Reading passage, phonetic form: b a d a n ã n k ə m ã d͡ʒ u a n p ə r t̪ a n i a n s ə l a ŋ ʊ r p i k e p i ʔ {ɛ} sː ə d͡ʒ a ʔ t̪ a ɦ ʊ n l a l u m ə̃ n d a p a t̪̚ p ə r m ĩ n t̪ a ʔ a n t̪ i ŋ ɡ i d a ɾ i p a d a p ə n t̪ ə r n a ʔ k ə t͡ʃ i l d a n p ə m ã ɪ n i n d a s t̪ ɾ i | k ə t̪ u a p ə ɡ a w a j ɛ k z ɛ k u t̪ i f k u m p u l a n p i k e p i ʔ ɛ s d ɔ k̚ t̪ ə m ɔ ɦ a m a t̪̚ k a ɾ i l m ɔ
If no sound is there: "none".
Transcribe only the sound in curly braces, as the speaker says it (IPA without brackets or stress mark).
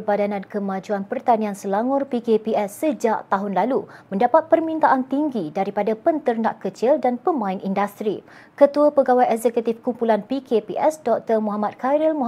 ɛ